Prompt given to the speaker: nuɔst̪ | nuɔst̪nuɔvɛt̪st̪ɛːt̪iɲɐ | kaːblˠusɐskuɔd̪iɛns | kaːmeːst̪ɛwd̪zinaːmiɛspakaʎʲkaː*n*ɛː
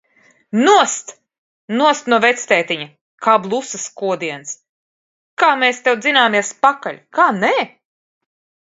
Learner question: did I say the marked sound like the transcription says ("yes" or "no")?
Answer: yes